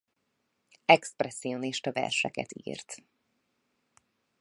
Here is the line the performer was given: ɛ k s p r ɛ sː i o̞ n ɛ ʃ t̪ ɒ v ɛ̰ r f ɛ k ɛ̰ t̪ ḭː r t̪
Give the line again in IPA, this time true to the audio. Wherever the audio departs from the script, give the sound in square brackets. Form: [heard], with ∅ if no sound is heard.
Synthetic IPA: ɛ k s p r ɛ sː i o̞ n [i] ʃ t̪ ɒ v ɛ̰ r [ʃ] ɛ k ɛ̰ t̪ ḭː r t̪